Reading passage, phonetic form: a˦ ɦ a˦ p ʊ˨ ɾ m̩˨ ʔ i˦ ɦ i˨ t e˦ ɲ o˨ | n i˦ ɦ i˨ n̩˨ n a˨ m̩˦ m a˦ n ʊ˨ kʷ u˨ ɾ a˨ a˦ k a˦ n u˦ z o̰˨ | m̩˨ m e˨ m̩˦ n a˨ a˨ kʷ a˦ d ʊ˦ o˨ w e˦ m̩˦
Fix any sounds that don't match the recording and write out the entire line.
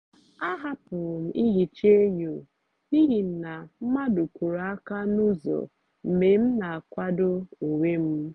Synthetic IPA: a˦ ɦ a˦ p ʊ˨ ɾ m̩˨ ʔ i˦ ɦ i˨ t͡ʃ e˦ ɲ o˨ | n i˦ ɦ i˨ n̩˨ n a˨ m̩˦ m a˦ d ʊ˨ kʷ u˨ ɾ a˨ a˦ k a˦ n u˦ z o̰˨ | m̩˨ m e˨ m̩˦ n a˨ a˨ kʷ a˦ d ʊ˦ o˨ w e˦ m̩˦